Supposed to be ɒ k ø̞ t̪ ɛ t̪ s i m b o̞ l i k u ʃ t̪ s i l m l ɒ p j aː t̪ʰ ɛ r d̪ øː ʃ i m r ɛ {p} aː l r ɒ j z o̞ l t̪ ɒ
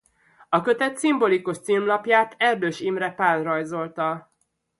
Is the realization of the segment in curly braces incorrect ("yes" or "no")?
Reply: no